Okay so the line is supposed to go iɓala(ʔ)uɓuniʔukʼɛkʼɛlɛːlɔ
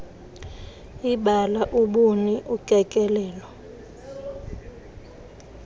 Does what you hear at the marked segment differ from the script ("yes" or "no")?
no